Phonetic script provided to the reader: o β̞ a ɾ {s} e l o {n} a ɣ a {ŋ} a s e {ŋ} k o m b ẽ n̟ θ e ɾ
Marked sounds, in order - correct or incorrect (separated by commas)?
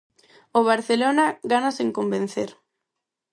incorrect, correct, incorrect, correct